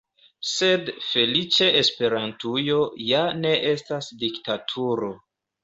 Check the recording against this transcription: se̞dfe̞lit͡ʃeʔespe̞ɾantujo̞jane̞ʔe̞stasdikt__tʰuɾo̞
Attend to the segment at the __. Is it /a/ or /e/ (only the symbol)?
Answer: a